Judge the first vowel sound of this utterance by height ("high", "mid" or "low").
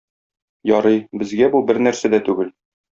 low